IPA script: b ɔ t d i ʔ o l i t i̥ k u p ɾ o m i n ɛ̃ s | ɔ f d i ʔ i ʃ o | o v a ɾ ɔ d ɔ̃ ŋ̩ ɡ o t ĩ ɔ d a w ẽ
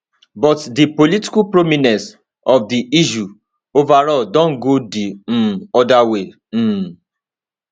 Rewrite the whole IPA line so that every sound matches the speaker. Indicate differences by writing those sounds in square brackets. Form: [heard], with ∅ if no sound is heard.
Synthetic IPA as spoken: b ɔ t d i [p] o l i t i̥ k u p ɾ o m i n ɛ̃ s | ɔ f d i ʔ i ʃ [u] | o v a ɾ ɔ d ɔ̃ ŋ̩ ɡ o [d] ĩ ɔ d a w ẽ